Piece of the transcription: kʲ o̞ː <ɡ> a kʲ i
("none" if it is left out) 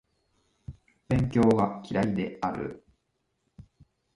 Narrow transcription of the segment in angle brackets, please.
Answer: ɡ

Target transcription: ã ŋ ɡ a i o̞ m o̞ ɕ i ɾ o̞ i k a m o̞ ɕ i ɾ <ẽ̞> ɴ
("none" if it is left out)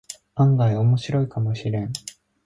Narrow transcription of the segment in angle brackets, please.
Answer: ẽ̞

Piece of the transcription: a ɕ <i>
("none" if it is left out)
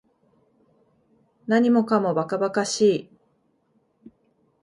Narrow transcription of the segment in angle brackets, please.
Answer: iː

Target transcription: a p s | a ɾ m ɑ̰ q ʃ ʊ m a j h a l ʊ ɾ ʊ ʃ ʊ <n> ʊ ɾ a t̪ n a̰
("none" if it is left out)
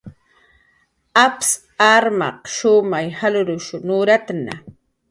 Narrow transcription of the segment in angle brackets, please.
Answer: n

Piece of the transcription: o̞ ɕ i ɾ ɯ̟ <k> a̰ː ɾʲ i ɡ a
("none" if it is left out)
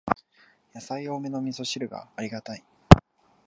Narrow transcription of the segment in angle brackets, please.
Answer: ɡ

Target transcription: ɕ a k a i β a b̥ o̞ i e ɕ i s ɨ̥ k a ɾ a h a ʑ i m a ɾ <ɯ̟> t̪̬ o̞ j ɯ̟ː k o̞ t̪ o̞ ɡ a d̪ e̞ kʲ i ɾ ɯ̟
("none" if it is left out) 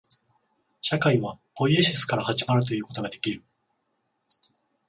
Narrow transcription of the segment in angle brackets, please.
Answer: ɯ̟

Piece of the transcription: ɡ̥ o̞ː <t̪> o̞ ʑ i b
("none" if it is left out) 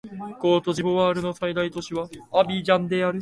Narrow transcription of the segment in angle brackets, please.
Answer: t̪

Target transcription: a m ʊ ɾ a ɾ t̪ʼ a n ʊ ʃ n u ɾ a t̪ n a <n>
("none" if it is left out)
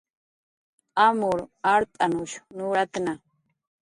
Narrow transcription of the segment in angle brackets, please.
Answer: none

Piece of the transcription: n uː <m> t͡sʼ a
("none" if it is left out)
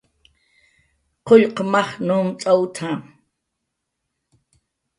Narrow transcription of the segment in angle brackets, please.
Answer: m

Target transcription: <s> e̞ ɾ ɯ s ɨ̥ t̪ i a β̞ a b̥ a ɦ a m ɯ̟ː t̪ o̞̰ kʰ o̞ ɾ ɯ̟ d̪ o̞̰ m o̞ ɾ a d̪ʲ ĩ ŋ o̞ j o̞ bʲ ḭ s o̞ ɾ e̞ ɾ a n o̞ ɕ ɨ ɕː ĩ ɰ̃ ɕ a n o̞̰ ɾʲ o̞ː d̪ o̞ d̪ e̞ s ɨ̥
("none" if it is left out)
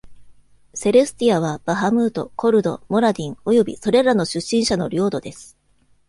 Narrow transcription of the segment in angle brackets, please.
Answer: s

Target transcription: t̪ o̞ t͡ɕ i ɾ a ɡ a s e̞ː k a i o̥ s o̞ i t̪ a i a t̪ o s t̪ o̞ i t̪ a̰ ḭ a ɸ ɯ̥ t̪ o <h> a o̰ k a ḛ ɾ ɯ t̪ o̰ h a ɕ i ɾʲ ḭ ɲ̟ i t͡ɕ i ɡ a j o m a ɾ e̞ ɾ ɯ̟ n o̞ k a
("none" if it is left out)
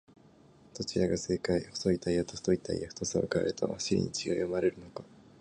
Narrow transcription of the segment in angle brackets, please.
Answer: s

